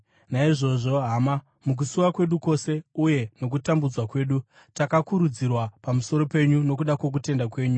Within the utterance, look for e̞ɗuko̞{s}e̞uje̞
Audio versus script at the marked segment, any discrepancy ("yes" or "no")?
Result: no